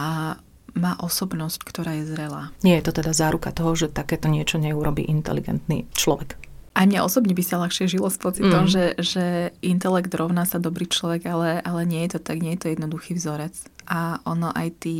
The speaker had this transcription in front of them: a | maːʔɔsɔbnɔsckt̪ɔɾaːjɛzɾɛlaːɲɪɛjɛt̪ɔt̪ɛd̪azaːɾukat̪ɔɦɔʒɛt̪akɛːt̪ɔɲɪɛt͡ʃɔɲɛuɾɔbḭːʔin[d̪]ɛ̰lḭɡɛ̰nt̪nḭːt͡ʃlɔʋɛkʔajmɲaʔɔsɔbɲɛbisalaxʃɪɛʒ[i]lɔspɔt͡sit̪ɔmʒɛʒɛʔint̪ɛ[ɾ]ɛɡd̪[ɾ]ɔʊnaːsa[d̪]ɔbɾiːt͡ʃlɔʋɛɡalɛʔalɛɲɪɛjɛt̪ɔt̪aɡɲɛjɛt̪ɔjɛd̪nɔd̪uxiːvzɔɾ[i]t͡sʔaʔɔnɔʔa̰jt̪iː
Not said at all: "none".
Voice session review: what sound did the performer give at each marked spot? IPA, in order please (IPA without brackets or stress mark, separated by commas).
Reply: t̪, i, l, ɾ, d̪, ɛ